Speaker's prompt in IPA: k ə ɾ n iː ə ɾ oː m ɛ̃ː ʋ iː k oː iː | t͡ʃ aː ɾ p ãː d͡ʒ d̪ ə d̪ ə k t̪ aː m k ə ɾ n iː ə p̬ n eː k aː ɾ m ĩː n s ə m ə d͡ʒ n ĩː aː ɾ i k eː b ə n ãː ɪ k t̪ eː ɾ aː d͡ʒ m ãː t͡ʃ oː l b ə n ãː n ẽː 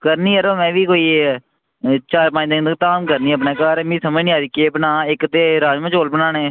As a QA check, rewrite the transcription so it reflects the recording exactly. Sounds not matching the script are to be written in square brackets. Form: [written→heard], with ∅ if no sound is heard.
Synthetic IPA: k ə ɾ n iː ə ɾ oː m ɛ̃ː ʋ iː k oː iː | t͡ʃ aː ɾ p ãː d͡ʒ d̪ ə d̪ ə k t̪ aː m k ə ɾ n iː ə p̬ n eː k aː ɾ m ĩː [n→∅] s ə m ə d͡ʒ n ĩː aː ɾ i k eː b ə n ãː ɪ k t̪ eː ɾ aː d͡ʒ m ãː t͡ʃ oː l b ə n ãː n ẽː